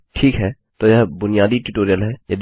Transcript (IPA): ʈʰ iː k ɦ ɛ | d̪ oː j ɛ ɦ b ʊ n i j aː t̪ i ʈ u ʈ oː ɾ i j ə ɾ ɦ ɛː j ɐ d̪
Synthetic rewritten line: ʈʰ iː k ɦ ɛ | t̪ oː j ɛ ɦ b ʊ n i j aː d̪ i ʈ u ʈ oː ɾ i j ə l ɦ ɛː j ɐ d̪